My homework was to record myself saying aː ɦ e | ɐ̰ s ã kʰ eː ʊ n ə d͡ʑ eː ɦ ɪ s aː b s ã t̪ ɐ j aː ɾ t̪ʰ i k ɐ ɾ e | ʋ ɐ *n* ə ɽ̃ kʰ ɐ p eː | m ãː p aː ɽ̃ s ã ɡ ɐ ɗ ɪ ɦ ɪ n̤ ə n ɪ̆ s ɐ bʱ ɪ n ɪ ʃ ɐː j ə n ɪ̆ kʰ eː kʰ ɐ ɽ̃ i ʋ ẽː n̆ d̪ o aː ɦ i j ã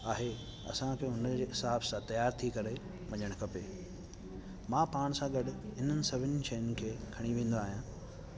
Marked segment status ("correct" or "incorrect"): incorrect